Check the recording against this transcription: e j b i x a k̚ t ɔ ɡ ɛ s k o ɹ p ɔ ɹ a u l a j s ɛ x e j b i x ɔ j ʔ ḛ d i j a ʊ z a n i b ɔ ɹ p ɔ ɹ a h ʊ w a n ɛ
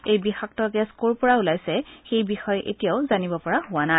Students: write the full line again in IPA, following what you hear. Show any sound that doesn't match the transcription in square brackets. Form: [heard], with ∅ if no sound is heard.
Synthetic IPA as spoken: e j b i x a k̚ t ɔ ɡ ɛ s k o ɹ p ɔ ɹ a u l a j s ɛ x e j b i x ɔ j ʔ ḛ [t] i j a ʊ z a n i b ɔ [∅] p ɔ ɹ a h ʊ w a n [a]